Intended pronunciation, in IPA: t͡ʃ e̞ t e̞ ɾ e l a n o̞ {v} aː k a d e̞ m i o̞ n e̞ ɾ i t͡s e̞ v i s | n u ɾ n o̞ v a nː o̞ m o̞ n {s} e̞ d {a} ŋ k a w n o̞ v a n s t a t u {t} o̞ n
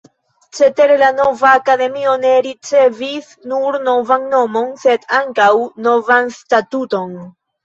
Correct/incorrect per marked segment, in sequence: correct, correct, correct, correct

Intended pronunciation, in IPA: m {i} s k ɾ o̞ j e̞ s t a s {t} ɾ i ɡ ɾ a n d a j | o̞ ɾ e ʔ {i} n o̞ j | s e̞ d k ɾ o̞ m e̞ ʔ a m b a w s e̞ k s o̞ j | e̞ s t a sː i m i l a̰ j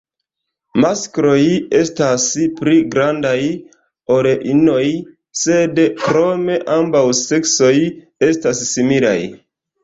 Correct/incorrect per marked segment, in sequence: incorrect: a, incorrect: p, correct

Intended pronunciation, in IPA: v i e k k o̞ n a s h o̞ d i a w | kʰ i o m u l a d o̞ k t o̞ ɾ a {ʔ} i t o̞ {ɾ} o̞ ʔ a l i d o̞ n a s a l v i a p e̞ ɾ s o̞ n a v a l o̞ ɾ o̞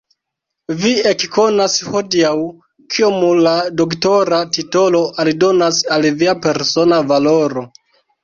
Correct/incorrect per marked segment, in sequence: incorrect: t, incorrect: l

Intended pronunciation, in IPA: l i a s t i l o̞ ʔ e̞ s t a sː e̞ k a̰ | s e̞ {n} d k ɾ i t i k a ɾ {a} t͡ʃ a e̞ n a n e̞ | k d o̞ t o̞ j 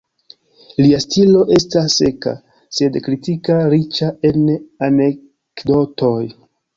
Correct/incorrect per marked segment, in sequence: incorrect: none, incorrect: i

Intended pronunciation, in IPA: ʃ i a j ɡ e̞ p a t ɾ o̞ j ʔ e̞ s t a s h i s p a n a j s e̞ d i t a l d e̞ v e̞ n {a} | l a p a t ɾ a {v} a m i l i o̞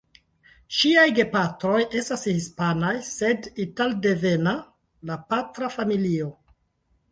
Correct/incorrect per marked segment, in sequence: correct, incorrect: f

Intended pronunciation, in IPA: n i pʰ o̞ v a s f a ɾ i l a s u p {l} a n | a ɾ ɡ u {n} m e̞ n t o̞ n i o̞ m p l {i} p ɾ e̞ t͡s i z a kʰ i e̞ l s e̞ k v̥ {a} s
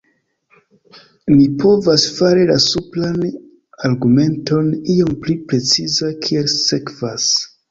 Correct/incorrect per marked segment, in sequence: correct, incorrect: none, correct, correct

